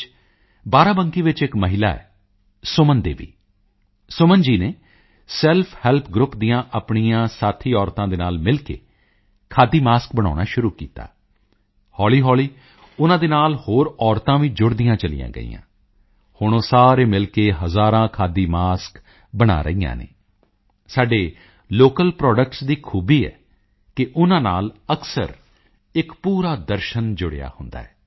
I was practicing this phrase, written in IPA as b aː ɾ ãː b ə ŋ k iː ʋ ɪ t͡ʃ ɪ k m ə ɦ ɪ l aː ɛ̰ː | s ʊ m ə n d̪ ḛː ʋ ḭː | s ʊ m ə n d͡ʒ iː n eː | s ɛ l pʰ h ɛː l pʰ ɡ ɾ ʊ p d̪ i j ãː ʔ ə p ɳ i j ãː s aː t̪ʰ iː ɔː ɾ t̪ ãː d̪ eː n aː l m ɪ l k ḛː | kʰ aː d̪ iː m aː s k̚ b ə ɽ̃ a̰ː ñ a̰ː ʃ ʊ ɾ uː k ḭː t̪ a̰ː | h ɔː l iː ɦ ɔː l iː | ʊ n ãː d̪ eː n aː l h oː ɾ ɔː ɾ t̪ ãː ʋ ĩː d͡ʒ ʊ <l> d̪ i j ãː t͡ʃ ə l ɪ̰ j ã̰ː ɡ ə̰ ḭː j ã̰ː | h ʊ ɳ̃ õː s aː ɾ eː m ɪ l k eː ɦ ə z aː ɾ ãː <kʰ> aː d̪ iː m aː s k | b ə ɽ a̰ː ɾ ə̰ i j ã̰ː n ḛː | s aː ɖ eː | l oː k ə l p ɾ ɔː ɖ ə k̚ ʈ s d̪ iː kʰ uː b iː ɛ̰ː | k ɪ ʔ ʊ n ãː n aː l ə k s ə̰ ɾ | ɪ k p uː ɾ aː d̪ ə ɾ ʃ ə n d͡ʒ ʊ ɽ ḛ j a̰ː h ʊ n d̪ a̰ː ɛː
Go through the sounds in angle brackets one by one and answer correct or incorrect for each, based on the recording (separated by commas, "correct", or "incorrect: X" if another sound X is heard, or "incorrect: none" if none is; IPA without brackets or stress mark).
incorrect: ɽ, correct